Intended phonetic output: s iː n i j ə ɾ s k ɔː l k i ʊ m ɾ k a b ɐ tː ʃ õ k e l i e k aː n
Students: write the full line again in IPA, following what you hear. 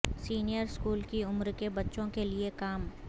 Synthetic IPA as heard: s iː n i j ə ɾ s k uː l k i ʊ m ɾ k e b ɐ tː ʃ õ k e l i e k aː m

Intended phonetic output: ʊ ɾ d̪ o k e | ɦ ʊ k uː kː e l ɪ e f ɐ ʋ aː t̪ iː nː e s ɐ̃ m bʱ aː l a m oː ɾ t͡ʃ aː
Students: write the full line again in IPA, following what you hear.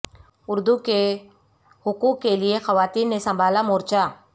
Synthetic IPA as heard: ʊ ɾ d̪ u k e | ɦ ʊ k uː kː e l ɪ e x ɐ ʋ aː t̪ iː nː e s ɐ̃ m bʱ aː l a m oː ɾ t͡ʃ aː

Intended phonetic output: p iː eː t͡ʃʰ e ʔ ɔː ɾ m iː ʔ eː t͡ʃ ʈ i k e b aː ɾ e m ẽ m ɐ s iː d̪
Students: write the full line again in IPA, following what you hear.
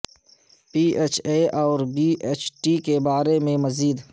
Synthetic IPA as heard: p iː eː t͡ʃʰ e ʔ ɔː ɾ b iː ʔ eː t͡ʃ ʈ i k e b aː ɾ e m ẽ m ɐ z iː d̪

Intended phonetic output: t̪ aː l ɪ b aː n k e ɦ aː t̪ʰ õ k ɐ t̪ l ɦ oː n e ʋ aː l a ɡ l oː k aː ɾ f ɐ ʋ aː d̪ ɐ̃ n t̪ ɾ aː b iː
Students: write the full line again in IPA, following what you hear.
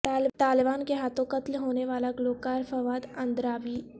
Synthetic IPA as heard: t̪ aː l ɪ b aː n k e ɦ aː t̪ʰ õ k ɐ t̪ l ɦ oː n e ʋ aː l a ɡ l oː k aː ɾ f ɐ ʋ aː d̪ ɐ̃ n d̪ ɾ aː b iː

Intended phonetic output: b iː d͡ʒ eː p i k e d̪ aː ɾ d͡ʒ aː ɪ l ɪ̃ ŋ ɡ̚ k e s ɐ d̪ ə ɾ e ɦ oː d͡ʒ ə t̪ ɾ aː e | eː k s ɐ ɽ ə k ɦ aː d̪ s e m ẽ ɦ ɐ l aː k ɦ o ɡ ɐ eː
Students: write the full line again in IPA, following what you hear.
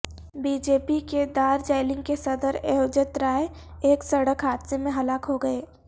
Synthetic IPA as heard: b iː d͡ʒ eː p i k e d̪ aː ɾ d͡ʒ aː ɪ l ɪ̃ ŋ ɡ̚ k e s ɐ d̪ ə ɾ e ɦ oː d͡ʒ ə t̪ ɾ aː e | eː k s ɐ ɽ ə k ɦ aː d̪ s e m ẽ ɦ ɐ l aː k ɦ o ɡ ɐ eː

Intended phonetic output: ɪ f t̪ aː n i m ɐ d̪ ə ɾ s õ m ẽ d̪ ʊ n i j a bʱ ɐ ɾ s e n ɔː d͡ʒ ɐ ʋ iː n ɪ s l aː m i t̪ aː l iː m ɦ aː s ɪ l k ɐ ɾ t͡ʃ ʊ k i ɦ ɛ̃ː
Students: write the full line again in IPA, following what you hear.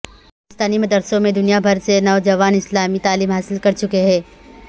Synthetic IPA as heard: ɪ s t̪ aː n i m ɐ d̪ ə ɾ s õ m ẽ d̪ ʊ n i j a bʱ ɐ ɾ s e n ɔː d͡ʒ ɐ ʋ aː n ɪ s l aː m i t̪ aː l iː m ɦ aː s ɪ l k ɐ ɾ t͡ʃ ʊ k e ɦ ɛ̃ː

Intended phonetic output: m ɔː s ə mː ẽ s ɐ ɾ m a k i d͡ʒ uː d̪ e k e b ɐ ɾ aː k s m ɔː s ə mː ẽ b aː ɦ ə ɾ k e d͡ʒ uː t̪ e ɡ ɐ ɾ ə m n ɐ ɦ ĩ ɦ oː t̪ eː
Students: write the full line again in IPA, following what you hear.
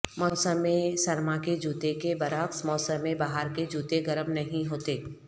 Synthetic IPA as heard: m ɔː s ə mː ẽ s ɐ ɾ m a k e d͡ʒ uː t̪ e k e b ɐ ɾ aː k s m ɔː s ə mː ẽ b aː ɦ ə ɾ k e d͡ʒ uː t̪ e ɡ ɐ ɾ ə m n ɐ ɦ ĩ ɦ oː t̪ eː

